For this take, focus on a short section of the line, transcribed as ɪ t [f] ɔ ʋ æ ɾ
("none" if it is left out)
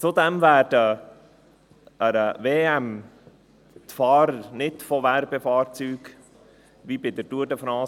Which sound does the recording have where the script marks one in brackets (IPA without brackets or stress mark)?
f